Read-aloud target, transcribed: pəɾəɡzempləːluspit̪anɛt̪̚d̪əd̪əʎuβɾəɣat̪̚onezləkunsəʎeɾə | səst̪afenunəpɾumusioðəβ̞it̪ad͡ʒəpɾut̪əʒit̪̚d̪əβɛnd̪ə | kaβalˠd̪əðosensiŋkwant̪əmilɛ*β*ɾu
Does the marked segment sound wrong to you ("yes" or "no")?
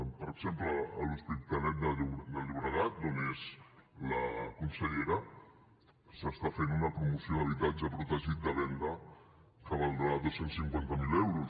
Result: yes